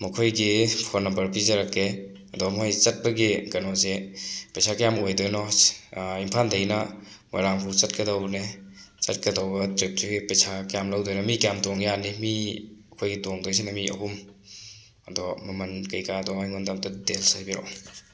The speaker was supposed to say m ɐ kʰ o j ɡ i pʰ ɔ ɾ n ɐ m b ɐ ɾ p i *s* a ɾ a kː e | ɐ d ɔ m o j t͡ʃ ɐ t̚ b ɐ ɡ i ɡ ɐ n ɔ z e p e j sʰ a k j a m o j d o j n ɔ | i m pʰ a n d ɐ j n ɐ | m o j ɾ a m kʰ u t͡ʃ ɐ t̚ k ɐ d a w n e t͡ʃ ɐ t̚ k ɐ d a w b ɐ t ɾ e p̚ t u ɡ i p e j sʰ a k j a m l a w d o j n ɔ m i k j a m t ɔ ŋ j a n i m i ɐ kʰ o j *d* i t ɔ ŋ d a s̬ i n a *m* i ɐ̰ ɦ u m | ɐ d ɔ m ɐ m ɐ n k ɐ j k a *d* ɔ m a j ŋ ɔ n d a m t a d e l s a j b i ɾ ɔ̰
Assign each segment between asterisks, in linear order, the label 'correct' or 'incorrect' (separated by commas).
incorrect, incorrect, correct, correct